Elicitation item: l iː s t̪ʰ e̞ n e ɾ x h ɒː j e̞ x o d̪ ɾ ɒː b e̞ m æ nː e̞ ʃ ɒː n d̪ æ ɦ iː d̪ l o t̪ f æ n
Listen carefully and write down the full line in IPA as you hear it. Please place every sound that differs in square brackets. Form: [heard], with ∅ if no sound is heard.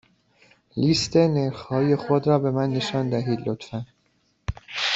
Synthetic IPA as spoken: l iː s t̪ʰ e̞ n e ɾ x h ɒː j e̞ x o d̪ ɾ ɒː b e̞ m æ nː e̞ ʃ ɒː n d̪ æ ɦ iː d̪ l o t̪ f æ n